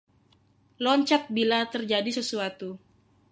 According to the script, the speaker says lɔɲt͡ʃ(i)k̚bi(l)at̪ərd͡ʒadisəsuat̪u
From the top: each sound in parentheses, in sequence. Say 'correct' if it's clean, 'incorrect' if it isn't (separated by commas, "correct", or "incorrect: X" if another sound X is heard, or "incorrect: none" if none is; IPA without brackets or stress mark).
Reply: incorrect: a, correct